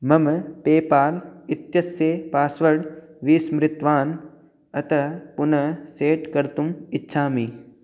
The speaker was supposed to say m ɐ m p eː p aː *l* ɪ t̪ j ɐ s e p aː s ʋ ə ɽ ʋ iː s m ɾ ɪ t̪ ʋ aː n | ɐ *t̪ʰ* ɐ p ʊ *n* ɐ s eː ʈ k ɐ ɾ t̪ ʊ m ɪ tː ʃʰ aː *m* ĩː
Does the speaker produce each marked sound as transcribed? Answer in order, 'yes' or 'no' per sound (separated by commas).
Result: yes, no, yes, yes